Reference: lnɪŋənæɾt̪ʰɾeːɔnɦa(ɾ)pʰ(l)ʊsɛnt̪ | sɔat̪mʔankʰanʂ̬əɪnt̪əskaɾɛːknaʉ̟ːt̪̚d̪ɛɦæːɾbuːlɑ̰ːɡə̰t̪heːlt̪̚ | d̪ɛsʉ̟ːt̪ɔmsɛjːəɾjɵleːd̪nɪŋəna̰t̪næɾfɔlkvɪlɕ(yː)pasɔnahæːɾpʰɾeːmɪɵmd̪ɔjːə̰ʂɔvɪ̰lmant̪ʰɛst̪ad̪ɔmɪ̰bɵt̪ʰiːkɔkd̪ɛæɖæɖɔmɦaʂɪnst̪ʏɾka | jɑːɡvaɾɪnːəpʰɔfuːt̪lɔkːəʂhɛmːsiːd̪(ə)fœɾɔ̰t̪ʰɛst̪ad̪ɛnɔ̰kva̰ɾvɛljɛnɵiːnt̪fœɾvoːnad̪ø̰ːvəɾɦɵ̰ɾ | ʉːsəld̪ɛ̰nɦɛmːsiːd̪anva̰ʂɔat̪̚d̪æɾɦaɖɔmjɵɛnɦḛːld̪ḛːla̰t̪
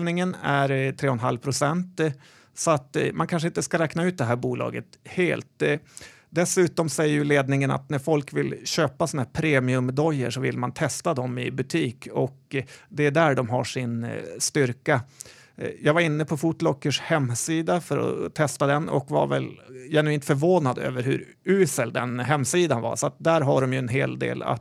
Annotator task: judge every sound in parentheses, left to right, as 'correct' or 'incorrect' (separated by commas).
incorrect, incorrect, incorrect, incorrect